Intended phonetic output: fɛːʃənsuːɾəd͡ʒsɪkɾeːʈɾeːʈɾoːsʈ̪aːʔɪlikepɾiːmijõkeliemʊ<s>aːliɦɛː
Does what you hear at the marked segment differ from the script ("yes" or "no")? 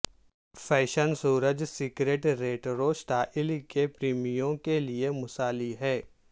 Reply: no